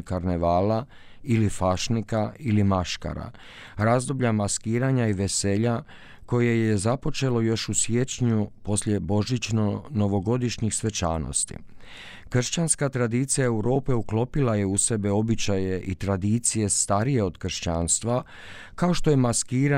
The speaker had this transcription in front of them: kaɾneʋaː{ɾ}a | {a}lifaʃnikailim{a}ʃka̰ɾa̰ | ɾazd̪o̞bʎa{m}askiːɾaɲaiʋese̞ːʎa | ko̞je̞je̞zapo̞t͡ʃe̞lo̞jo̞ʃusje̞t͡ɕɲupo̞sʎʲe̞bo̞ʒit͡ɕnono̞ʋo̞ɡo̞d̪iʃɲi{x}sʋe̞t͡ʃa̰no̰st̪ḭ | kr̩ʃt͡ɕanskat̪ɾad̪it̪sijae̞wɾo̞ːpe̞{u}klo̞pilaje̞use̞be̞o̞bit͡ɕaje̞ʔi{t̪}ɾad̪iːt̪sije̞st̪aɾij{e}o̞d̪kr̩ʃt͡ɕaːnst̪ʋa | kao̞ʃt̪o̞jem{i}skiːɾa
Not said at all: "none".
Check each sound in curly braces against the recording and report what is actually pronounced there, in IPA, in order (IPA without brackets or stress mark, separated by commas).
l, i, a, m, x, u, t̪, e, a